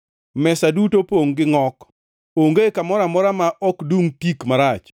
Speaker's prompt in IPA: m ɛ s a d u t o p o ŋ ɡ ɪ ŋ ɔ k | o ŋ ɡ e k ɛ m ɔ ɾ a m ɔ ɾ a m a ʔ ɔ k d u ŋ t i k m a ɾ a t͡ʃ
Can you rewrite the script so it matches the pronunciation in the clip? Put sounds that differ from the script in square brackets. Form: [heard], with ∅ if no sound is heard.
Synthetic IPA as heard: m ɛ s a d u t o p o ŋ ɡ ɪ ŋ ɔ k | o ŋ ɡ e k [a] m ɔ ɾ a m ɔ ɾ a m a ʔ ɔ k d u ŋ t i k m a ɾ a t͡ʃ